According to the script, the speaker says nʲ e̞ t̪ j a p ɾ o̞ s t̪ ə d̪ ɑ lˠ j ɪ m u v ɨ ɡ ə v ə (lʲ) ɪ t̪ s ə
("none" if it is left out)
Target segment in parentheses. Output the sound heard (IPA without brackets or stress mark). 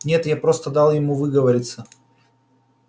ɾʲ